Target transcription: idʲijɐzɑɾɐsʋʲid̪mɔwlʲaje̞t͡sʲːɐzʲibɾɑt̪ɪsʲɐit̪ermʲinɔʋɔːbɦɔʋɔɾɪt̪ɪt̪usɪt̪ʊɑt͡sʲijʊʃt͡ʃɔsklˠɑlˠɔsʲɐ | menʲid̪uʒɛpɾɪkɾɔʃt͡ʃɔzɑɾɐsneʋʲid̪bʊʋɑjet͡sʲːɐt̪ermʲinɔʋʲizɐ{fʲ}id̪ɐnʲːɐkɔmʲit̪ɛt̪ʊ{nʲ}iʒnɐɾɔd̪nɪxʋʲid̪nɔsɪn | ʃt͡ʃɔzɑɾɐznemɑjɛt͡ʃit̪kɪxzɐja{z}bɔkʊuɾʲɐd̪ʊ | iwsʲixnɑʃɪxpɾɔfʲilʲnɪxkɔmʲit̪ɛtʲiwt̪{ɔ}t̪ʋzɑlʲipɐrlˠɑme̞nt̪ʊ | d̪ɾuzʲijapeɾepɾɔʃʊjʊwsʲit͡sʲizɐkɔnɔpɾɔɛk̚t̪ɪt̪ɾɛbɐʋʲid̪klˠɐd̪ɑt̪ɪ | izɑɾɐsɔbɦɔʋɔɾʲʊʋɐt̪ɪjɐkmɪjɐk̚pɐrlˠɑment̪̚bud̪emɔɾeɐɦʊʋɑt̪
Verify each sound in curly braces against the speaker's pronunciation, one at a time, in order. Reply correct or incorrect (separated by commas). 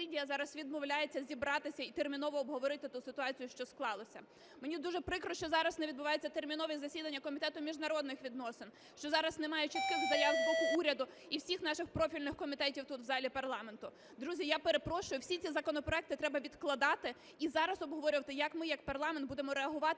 incorrect, incorrect, correct, incorrect